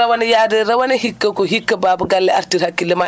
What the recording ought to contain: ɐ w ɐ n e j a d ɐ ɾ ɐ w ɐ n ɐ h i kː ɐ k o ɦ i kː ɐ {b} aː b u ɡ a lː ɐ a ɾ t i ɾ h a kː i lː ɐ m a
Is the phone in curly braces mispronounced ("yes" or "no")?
no